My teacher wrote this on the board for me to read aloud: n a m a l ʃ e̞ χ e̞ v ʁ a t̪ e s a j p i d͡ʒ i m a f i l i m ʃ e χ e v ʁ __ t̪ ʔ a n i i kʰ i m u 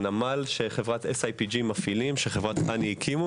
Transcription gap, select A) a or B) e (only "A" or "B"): A